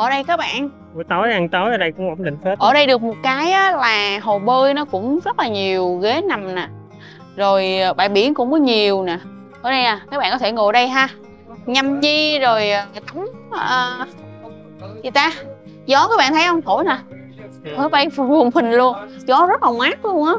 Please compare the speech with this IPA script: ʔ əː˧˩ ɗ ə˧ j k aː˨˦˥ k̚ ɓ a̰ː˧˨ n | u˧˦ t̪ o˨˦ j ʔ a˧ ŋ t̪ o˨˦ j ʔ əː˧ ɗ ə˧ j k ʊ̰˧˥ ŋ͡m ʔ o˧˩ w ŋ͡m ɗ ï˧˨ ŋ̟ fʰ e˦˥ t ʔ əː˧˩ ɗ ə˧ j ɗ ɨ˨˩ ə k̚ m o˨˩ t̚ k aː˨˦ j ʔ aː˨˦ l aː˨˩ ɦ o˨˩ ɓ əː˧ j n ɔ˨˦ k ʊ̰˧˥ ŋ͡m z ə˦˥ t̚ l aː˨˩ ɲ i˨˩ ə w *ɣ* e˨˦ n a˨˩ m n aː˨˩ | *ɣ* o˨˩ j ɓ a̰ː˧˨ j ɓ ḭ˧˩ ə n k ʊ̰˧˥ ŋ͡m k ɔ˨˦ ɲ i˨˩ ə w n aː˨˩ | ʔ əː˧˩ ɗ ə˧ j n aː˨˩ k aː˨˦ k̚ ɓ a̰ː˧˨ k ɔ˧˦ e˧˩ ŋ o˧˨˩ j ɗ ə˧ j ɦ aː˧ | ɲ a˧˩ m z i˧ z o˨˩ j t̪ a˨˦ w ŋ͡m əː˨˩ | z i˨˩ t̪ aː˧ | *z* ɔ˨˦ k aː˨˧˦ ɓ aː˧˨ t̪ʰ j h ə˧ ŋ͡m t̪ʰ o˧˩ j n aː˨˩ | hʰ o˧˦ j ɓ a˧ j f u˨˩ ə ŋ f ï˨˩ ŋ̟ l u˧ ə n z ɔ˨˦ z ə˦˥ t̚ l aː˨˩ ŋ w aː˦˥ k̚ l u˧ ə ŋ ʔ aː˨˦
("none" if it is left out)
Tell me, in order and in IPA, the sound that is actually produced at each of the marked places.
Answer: ɣ, z, z

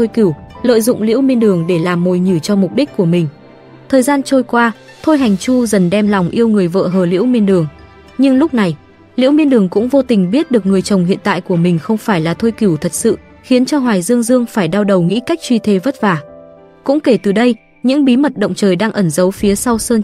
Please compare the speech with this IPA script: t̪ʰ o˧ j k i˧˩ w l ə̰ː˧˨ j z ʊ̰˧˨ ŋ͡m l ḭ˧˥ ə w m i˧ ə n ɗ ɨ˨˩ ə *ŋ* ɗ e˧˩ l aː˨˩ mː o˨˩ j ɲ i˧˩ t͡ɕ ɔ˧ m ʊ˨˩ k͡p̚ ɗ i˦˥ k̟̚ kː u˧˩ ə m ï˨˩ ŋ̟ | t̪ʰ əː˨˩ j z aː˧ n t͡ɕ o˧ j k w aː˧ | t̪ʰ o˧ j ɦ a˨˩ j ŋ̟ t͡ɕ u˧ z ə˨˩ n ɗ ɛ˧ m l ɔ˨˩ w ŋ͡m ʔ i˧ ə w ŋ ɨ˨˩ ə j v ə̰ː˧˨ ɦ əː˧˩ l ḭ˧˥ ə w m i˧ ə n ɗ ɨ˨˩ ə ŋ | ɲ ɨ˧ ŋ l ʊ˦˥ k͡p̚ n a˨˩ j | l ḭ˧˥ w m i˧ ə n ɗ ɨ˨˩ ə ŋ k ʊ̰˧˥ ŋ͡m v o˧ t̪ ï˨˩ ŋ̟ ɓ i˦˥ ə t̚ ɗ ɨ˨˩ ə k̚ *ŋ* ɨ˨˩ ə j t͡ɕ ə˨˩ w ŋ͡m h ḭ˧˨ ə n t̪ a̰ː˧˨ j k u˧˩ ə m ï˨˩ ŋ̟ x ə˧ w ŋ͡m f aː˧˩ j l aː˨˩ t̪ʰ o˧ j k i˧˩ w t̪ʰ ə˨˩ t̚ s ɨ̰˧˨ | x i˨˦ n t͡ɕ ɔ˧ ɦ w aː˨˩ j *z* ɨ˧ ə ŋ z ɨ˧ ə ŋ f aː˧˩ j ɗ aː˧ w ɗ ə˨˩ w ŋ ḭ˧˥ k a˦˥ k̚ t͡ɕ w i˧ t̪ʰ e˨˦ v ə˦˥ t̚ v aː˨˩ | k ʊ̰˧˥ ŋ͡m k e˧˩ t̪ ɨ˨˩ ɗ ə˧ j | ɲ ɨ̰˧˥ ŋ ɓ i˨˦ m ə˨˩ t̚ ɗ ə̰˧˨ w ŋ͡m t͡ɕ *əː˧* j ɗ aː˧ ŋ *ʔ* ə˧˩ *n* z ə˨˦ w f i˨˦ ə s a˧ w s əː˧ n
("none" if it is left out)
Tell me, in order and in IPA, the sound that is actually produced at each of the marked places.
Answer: ŋ, ŋ, z, əː˨˩, ʔ, n

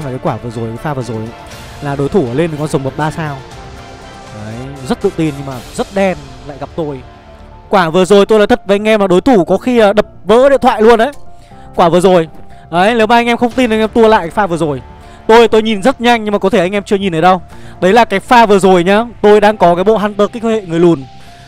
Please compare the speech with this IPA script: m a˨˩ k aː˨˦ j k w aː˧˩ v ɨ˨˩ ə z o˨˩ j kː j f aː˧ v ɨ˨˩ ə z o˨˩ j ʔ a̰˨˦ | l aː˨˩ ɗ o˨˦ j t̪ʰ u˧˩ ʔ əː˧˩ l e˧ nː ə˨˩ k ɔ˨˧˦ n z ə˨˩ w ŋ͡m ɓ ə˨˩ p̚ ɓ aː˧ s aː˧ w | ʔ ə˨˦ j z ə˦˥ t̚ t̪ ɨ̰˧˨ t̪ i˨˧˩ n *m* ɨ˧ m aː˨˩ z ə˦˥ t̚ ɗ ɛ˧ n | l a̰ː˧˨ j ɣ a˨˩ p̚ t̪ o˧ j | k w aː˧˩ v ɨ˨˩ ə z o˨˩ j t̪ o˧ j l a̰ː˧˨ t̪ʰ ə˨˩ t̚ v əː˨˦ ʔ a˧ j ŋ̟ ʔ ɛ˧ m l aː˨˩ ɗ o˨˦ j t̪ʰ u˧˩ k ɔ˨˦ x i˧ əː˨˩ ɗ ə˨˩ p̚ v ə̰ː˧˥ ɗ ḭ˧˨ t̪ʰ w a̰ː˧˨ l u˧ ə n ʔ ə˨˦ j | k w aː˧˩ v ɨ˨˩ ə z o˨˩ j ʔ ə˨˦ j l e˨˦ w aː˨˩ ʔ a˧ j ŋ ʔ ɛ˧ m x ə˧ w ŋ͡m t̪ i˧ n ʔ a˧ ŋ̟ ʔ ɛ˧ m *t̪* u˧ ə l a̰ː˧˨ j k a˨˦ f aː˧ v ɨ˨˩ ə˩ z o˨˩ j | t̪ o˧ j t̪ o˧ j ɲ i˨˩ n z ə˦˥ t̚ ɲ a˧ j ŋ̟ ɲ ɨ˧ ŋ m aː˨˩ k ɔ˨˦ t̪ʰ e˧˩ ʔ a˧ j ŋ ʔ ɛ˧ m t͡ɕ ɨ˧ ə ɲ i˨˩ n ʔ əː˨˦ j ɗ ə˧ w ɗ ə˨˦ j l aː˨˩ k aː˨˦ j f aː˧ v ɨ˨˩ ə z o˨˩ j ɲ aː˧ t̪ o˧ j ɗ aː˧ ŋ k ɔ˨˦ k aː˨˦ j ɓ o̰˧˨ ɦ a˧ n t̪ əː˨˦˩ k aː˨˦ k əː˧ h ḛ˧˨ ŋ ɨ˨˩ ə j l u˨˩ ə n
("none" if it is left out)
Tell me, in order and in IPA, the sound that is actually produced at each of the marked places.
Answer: ɲ, t̪

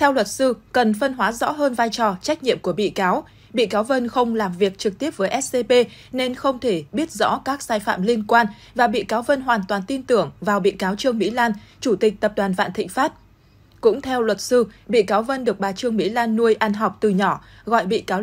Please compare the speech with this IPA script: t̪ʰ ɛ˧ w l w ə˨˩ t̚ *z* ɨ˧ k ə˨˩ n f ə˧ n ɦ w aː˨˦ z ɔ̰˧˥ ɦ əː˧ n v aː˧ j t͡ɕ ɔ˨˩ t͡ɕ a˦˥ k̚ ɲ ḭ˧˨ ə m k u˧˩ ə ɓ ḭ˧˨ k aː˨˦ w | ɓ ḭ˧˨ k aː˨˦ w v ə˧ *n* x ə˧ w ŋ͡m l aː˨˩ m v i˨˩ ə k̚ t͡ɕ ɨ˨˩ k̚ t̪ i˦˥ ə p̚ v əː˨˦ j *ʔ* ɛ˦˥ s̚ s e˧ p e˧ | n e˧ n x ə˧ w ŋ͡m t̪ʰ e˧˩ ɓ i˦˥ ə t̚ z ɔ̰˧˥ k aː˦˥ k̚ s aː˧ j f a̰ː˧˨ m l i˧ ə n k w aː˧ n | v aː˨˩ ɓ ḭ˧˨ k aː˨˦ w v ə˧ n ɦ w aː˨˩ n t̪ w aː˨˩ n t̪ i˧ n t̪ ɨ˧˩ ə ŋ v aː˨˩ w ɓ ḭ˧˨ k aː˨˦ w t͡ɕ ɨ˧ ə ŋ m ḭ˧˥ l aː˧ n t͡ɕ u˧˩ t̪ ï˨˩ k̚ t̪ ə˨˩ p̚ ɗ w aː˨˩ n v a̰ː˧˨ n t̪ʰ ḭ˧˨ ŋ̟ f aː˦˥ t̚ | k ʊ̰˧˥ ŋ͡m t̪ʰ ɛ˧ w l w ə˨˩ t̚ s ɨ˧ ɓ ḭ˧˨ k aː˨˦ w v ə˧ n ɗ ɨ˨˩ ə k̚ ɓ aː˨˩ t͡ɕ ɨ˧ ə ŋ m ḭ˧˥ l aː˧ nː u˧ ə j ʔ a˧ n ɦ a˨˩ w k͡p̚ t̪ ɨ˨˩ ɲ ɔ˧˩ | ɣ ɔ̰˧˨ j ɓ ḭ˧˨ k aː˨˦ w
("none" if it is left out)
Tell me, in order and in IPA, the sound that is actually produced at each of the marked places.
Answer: s, n, ʔ

